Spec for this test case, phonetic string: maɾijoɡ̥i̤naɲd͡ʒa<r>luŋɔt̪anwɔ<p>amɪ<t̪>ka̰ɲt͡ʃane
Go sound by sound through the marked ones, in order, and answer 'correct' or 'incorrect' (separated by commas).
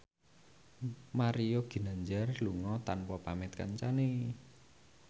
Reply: correct, correct, correct